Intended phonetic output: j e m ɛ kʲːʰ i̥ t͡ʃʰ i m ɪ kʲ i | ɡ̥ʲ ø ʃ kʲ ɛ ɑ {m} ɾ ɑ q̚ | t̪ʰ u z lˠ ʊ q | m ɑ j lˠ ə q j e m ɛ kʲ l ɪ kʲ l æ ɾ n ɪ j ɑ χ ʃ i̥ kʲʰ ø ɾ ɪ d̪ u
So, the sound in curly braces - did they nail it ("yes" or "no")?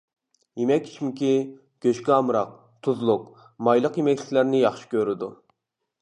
yes